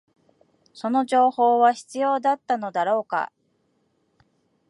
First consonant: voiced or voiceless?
voiceless